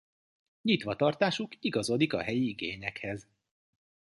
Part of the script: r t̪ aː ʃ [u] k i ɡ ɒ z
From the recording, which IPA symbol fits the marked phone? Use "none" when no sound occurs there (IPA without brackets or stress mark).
u